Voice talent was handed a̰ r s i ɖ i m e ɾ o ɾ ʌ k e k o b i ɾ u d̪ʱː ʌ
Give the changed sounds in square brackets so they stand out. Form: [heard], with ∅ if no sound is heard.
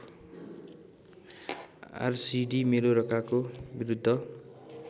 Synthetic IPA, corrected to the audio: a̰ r s i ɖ i m e ɾ o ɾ ʌ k [a] k o b i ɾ u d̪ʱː ʌ